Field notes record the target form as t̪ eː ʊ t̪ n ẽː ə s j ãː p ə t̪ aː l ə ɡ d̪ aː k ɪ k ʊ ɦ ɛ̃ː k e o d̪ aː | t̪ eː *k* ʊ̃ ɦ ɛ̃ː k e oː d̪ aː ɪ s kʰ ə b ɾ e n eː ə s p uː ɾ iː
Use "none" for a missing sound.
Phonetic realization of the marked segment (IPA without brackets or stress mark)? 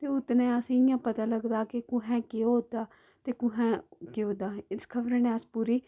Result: k